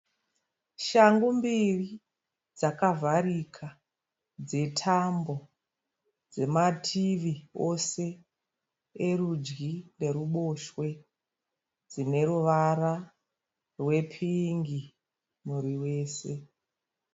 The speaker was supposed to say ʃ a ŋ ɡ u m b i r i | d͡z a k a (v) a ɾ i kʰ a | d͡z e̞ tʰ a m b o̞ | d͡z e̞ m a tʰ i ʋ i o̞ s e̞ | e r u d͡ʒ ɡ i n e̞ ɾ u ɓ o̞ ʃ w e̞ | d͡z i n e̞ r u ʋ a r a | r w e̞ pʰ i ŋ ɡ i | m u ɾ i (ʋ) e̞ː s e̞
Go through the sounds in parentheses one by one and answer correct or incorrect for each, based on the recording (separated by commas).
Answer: correct, incorrect